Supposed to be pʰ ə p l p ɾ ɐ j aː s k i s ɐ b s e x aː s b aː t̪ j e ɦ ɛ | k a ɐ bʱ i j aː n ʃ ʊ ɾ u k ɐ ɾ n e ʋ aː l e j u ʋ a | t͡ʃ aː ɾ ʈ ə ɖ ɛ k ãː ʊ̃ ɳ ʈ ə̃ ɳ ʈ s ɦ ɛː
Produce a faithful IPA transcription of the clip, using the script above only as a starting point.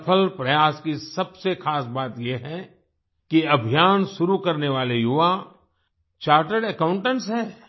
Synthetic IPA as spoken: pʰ ə l p ɾ ɐ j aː s k i s ɐ b s e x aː s b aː t̪ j e ɦ ɛ | k i ɐ bʱ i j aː n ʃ ʊ ɾ u k ɐ ɾ n e ʋ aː l e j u ʋ a | t͡ʃ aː ɾ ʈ ə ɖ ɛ k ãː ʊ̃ ɳ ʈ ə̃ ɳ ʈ s ɦ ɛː

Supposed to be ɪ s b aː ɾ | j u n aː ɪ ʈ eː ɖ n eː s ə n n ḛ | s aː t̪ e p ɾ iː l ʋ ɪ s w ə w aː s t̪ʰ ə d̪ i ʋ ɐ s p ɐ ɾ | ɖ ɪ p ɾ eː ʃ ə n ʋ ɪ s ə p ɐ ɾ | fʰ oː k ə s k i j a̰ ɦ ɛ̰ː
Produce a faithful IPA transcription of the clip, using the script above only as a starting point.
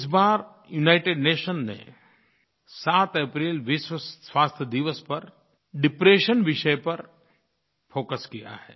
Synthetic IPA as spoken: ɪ s b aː ɾ | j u n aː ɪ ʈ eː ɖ n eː ʃ ə n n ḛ | s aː t̪ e p ɾ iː l ʋ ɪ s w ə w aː s t̪ʰ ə d̪ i ʋ ə s p ɐ ɾ | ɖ ɪ p ɾ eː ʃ ə n ʋ ɪ ʃ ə p ɐ ɾ | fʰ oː k ə s k i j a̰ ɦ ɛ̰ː

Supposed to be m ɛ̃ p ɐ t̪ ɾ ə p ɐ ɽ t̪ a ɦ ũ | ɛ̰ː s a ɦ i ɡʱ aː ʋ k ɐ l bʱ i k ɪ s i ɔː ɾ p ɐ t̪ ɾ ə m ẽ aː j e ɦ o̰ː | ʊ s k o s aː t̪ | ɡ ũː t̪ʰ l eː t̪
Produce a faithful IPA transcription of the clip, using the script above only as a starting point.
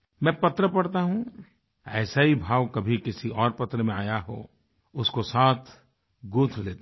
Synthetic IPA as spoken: m ɛ̃ p ɐ t̪ ɾ ə p ɐ ɽ t̪ a ɦ ũ | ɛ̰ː s a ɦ i bʱ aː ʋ k ɐ bʱ i k ɪ s i ɔː ɾ p ɐ t̪ ɾ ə m ẽ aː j a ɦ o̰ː | ʊ s k o s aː t̪ʰ | ɡ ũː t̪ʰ l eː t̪

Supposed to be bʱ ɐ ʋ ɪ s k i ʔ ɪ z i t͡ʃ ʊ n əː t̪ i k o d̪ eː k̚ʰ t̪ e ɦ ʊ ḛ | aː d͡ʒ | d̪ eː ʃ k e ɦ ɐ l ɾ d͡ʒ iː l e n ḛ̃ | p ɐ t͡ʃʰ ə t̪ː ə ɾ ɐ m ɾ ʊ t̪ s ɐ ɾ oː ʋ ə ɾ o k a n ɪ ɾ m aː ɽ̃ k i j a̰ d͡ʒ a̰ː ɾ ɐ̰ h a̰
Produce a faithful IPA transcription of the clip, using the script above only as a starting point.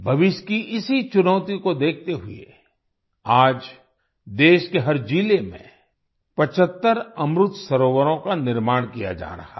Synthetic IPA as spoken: bʱ ɐ ʋ ɪ ʃ k i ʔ ɪ s i t͡ʃ ʊ n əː t̪ i k o d̪ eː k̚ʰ t̪ e ɦ ʊ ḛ | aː d͡ʒ | d̪ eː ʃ k e ɦ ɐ ɾ d͡ʒ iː l e m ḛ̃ | p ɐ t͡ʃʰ ə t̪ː ə ɾ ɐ m ɾ ʊ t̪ s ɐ ɾ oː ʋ ə ɾ õ k a n ɪ ɾ m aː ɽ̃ k i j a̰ d͡ʒ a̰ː ɾ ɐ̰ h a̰

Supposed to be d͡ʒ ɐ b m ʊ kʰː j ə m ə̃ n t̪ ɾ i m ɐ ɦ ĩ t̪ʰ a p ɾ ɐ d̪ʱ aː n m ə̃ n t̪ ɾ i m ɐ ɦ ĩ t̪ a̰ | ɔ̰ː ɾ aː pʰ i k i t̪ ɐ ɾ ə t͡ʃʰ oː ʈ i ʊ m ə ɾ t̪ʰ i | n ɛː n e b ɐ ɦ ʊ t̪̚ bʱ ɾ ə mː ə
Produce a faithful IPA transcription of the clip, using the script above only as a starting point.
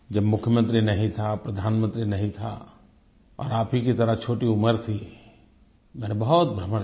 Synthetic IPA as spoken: d͡ʒ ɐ b m ʊ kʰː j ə m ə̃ n t̪ ɾ i n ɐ ɦ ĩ t̪ʰ a p ɾ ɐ d̪ʱ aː n m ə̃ n t̪ ɾ i n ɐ ɦ ĩ t̪ʰ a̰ | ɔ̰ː ɾ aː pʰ i k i t̪ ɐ ɾ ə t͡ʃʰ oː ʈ i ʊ m ə ɾ t̪ʰ i | m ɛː n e b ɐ ɦ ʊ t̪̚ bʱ ɾ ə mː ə

